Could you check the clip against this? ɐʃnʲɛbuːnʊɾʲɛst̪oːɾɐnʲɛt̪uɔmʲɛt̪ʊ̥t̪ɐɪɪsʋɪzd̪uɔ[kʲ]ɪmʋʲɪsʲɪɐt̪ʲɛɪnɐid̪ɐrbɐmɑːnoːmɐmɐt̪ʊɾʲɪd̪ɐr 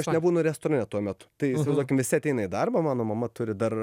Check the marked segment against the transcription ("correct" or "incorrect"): correct